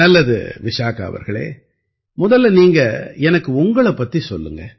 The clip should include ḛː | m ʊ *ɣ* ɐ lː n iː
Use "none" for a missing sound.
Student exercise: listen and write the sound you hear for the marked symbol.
ð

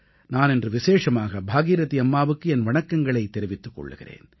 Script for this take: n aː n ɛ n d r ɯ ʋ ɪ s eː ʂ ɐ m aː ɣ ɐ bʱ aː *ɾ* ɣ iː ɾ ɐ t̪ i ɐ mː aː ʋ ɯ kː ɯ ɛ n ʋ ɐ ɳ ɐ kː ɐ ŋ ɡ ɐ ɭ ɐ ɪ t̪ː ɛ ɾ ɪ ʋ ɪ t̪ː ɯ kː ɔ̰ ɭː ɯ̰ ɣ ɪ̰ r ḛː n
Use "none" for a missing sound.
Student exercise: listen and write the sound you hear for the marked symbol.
none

